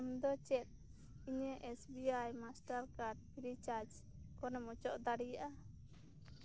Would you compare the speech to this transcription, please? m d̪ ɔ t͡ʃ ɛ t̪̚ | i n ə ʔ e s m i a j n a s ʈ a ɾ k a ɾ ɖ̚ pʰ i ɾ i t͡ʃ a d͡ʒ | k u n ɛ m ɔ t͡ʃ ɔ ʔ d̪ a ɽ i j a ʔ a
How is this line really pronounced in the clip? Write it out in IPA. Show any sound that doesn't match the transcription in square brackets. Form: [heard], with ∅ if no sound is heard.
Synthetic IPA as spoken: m d̪ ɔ t͡ʃ ɛ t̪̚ | i [ɲ] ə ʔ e s [b] i a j [m] a s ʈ a ɾ k a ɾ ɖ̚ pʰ i ɾ i t͡ʃ a d͡ʒ | k [ɔ] n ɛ m ɔ t͡ʃ ɔ ʔ d̪ a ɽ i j a ʔ a

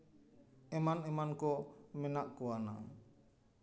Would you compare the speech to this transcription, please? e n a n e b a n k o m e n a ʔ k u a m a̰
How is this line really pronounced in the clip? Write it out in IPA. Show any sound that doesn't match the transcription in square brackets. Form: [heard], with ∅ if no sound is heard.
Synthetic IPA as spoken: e [m] a n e [m] a n k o m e n a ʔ k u a [n] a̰

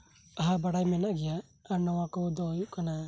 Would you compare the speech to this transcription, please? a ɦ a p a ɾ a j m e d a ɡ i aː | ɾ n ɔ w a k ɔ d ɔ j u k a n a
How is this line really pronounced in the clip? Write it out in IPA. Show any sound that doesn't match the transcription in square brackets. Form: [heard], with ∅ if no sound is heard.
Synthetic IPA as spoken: a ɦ a [b] a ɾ a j m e [n] a ɡ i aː | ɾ n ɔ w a k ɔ d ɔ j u k a n a

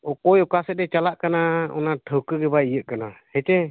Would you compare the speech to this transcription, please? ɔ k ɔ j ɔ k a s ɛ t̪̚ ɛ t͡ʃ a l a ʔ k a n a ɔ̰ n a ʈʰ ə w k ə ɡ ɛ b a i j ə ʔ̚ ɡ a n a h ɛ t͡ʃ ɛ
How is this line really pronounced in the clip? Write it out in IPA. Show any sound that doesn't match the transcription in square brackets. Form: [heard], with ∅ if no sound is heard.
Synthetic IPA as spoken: ɔ k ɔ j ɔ k a s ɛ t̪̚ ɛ t͡ʃ a l a ʔ k a n a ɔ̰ n a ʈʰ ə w k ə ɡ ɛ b a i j ə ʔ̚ [k] a n a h ɛ t͡ʃ ɛ

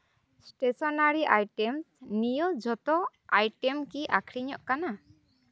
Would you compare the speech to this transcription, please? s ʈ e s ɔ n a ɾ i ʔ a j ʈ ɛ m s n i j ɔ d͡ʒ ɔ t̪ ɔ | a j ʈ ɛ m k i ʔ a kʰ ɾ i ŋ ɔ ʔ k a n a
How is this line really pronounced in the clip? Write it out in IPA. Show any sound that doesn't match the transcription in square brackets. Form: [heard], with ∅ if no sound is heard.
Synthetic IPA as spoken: s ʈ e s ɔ n a ɾ i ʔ a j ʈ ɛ m s n i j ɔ d͡ʒ ɔ t̪ ɔ | a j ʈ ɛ m k i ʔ a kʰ ɾ i [ɲ] ɔ ʔ k a n a

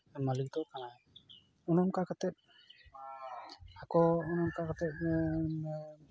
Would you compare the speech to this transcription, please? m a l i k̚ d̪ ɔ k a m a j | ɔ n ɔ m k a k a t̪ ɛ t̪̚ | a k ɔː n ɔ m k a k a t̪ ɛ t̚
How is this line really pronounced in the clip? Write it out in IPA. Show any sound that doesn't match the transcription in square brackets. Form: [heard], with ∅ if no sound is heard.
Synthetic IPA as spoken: m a l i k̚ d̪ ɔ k a [n] a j | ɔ n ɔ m k a k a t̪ ɛ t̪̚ | a k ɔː n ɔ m k a k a t̪ ɛ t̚

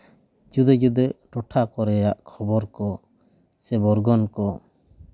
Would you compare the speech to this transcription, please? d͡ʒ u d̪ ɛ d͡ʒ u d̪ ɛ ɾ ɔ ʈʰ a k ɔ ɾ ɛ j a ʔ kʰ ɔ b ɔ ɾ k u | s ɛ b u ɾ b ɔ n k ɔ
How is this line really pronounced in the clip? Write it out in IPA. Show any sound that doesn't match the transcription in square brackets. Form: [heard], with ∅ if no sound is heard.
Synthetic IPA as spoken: d͡ʒ u d̪ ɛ d͡ʒ u d̪ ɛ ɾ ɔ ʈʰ a k ɔ ɾ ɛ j a ʔ kʰ ɔ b ɔ ɾ k [ɔ] | s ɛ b [ɔ] ɾ [ɡ] ɔ n k ɔ

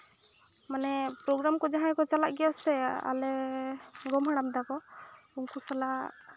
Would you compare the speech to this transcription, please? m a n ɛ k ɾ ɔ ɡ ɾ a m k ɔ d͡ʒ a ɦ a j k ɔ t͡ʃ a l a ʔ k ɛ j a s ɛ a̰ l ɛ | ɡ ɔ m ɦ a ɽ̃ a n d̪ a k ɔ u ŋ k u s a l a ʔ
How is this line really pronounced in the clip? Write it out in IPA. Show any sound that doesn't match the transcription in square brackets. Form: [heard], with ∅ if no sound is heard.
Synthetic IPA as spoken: m a n ɛ [p] ɾ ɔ ɡ ɾ a m k ɔ d͡ʒ a ɦ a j k ɔ t͡ʃ a l a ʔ [ɡ] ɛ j a s ɛ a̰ l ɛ | ɡ ɔ m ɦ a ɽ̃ a [m] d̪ a k ɔ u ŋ k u s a l a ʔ

